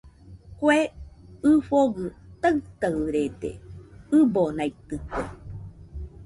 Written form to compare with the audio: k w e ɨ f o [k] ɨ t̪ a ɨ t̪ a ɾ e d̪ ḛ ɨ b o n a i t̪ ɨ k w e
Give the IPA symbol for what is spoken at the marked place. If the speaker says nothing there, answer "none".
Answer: ɡ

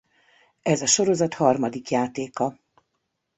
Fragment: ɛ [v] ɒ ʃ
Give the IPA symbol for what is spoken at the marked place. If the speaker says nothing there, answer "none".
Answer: z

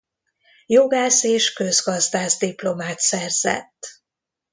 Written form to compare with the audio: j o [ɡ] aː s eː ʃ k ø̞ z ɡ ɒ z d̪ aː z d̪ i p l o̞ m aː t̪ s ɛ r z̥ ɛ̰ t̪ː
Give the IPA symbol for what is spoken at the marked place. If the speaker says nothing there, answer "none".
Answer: ɡ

